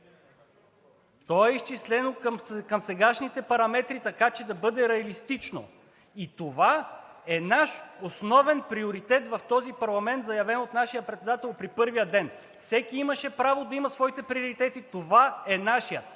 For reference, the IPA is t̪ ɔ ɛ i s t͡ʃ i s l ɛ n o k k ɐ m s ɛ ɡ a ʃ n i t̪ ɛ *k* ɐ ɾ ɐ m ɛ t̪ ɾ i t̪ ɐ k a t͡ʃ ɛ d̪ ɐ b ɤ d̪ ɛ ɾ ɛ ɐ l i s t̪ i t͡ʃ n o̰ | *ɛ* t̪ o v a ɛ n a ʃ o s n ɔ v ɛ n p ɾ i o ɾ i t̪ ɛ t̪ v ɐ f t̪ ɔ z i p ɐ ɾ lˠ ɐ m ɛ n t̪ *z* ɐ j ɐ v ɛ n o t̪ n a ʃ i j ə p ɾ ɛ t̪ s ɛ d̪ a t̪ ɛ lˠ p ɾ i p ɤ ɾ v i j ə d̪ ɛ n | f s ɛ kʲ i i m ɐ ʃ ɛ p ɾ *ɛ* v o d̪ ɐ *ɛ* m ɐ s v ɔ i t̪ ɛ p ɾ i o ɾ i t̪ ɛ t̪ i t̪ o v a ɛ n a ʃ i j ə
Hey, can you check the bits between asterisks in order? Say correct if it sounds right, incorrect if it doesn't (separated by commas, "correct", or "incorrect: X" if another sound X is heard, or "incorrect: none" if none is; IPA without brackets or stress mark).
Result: incorrect: p, incorrect: i, correct, incorrect: a, incorrect: i